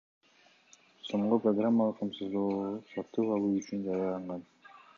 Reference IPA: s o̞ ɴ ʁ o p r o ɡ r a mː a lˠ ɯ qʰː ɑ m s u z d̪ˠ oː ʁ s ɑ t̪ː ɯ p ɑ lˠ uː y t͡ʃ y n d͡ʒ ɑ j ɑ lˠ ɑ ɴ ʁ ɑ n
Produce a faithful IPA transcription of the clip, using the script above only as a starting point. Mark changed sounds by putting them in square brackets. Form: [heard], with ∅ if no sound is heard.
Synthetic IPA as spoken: s o̞ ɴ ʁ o p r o ɡ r a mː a lˠ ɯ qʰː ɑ m s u z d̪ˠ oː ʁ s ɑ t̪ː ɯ p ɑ lˠ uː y t͡ʃ y n d͡ʒ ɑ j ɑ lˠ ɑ ɴ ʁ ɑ n